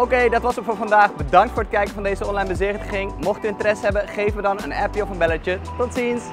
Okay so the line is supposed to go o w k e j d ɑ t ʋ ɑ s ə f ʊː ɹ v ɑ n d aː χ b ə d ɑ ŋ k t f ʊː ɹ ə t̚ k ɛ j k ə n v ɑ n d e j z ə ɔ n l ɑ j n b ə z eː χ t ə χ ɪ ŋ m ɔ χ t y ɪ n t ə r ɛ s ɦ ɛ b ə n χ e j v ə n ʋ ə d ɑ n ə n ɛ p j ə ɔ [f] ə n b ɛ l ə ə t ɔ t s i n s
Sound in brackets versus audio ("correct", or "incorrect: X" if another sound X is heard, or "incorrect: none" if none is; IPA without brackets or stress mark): correct